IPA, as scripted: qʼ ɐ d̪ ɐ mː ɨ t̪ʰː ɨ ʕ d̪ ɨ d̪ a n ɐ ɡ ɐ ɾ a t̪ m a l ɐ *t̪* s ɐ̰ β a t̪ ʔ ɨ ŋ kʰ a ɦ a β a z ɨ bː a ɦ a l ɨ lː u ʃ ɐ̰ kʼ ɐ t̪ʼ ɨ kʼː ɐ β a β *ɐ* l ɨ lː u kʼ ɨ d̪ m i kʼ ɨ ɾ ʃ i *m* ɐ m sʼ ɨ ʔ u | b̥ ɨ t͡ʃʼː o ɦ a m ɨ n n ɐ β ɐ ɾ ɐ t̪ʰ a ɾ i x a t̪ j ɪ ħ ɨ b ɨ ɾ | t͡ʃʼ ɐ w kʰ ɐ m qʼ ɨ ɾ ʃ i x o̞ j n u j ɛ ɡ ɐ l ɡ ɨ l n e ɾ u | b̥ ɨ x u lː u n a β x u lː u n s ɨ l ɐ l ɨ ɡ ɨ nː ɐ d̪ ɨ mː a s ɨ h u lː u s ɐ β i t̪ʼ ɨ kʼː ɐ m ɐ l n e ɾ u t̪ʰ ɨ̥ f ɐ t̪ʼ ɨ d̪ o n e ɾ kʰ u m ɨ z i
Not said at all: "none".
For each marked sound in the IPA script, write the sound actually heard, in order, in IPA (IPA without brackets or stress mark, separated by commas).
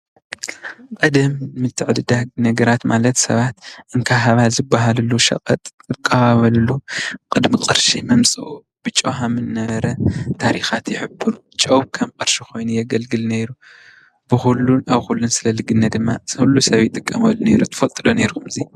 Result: t̪, ɐ, m